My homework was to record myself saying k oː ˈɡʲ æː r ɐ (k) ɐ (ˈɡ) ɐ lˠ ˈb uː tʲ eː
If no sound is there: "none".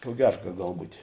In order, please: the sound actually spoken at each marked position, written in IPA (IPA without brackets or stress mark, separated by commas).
k, ɡ